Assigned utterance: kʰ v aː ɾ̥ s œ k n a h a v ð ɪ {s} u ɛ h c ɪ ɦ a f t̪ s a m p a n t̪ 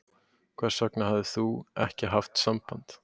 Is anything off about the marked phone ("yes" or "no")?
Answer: yes